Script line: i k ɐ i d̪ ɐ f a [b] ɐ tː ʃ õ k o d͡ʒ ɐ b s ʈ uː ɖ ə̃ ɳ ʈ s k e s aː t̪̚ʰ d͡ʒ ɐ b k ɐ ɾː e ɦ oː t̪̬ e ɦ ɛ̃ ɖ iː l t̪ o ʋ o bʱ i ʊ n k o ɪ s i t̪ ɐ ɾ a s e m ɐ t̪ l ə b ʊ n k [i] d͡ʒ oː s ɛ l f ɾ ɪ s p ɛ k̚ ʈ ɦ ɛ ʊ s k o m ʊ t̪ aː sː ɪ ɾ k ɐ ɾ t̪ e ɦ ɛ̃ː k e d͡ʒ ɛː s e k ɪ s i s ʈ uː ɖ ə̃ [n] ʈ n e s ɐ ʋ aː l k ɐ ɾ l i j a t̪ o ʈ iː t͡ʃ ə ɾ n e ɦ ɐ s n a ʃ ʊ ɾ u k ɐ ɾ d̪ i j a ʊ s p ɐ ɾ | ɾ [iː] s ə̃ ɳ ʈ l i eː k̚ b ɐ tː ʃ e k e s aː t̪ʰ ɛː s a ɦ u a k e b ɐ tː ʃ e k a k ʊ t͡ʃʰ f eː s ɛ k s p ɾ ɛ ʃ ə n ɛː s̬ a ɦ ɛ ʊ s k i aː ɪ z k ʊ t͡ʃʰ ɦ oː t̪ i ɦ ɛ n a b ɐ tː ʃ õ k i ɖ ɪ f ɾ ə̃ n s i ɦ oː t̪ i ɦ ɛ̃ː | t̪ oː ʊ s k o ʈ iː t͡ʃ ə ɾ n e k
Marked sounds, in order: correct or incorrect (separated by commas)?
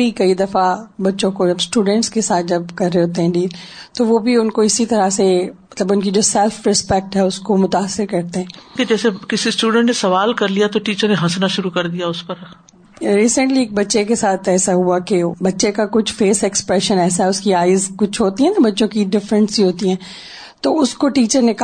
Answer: correct, correct, incorrect, correct